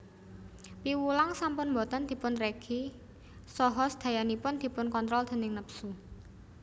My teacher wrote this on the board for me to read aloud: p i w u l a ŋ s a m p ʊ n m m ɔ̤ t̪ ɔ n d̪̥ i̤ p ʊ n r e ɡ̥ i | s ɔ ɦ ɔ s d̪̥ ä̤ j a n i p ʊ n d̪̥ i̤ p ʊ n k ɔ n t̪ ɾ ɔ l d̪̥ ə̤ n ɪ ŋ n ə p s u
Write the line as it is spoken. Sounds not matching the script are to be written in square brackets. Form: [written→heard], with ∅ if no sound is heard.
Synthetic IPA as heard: p i w u l a ŋ s a m p ʊ n m [m→b] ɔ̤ t̪ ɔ n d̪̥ i̤ p ʊ n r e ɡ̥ i | s ɔ ɦ ɔ s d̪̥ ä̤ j a n i p ʊ n d̪̥ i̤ p ʊ n k ɔ n t̪ ɾ ɔ l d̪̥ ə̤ n ɪ ŋ n ə p s u